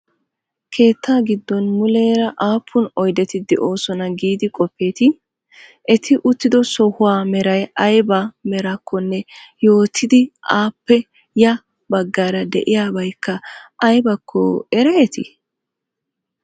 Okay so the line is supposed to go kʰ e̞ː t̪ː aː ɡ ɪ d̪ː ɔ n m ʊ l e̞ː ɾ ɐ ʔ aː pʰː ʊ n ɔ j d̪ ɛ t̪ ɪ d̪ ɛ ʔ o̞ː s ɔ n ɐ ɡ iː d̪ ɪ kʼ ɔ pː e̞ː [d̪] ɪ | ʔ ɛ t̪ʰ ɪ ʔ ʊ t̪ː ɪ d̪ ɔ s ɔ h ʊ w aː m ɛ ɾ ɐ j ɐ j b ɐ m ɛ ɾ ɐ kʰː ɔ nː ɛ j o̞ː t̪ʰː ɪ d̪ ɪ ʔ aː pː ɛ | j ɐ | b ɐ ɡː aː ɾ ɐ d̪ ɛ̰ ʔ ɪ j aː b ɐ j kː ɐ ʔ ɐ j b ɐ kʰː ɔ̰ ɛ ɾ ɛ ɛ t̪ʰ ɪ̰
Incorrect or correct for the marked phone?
incorrect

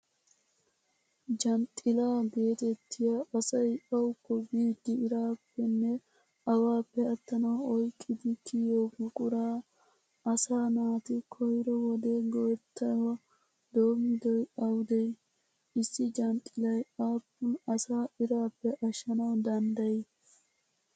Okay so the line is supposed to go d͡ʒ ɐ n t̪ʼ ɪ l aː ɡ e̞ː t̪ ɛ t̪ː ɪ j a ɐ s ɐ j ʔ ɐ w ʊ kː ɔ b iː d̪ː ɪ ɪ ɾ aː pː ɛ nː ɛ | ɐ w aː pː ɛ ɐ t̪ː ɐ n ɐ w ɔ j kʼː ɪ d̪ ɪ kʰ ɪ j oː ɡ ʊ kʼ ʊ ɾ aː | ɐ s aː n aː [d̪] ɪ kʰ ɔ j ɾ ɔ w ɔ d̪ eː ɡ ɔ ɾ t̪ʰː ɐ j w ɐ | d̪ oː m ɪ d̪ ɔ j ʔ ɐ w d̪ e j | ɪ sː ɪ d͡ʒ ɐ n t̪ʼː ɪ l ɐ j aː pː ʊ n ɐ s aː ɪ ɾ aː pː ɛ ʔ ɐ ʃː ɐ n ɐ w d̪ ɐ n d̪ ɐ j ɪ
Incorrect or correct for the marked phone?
incorrect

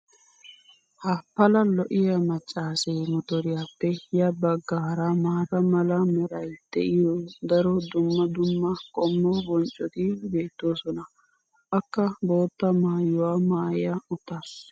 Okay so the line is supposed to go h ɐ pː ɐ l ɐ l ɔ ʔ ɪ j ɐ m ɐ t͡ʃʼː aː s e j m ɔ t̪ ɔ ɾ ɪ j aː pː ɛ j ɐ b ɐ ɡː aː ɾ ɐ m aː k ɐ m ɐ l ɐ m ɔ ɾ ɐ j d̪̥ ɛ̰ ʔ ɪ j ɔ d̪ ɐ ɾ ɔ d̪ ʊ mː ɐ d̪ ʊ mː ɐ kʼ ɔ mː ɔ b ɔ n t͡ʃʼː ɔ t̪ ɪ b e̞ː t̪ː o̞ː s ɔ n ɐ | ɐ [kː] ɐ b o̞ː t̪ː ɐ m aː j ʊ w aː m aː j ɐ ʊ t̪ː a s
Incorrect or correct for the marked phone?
correct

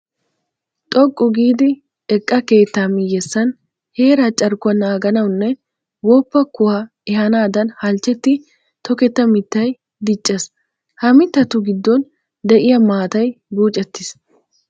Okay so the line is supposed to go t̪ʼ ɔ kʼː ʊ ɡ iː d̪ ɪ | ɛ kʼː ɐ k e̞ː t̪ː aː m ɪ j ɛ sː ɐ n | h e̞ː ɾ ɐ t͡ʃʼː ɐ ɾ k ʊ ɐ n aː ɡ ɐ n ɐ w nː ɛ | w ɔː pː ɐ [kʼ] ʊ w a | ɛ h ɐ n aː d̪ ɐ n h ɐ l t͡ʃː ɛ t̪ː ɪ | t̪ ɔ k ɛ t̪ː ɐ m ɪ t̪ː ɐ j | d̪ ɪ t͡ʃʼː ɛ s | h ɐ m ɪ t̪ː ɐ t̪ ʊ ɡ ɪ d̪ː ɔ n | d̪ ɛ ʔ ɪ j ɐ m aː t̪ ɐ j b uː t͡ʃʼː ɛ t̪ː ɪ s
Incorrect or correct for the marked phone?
incorrect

